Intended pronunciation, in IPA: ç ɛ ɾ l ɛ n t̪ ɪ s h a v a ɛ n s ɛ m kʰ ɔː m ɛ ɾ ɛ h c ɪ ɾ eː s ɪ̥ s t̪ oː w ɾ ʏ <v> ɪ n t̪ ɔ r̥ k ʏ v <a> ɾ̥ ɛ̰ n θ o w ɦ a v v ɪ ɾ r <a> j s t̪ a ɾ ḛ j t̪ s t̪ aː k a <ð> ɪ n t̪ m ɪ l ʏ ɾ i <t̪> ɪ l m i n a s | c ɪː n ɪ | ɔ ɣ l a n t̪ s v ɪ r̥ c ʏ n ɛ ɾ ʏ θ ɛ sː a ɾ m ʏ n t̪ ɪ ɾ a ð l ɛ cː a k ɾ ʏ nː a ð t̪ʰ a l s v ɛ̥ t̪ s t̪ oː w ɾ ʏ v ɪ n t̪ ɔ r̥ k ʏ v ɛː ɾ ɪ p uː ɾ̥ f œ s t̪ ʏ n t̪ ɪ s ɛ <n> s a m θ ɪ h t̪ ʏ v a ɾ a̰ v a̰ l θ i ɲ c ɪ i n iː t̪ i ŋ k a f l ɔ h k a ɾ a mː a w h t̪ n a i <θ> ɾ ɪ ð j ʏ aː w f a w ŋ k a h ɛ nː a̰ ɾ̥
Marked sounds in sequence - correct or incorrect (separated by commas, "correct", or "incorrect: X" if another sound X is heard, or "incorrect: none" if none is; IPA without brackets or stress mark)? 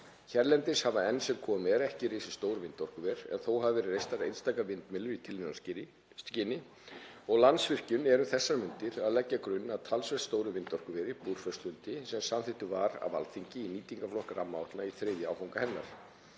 correct, incorrect: ɛ, incorrect: e, incorrect: v, incorrect: t̪ʰ, incorrect: m, correct